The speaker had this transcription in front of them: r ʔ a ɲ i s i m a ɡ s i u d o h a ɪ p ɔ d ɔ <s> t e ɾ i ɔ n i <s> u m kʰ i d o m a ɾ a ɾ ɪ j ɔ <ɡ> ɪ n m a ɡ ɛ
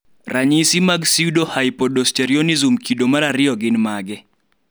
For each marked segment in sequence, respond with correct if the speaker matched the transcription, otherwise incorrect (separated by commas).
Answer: correct, incorrect, correct